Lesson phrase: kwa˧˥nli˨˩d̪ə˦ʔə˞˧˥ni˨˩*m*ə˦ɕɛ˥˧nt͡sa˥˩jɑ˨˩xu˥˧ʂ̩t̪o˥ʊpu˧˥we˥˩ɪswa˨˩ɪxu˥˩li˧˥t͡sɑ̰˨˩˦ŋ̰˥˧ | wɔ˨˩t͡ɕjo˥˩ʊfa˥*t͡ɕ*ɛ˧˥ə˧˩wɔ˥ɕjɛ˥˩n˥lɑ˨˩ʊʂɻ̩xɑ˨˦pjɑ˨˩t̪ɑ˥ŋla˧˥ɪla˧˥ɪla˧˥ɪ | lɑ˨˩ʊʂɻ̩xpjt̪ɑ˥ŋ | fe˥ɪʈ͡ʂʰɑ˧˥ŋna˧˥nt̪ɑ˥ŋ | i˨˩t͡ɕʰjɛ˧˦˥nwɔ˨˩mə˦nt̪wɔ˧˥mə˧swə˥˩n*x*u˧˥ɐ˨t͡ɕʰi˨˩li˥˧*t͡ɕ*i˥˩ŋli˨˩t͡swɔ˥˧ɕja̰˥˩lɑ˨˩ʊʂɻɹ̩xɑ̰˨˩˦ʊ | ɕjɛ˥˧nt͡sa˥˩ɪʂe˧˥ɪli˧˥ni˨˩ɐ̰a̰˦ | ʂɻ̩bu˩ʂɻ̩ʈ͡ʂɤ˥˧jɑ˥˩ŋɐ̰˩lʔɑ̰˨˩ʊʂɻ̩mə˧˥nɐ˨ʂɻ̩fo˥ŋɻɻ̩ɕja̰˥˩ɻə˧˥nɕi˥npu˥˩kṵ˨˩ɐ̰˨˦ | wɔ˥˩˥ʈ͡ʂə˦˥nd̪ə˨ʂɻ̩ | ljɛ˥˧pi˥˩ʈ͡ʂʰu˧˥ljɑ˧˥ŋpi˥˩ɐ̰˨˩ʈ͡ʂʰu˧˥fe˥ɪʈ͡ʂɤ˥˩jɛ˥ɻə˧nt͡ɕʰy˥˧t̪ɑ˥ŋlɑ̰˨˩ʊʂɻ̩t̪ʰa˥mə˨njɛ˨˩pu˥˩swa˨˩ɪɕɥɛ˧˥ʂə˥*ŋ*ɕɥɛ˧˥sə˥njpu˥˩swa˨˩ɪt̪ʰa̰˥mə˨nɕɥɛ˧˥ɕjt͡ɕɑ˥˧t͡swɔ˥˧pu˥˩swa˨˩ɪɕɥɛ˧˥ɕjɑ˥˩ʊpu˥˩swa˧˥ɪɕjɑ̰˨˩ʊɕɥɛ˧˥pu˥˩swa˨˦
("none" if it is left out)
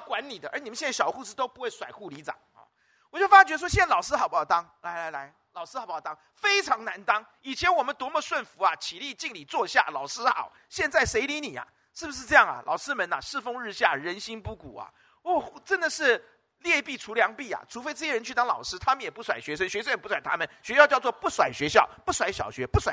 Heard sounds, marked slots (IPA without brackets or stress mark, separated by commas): m, t͡ɕ, f, t͡ɕ, n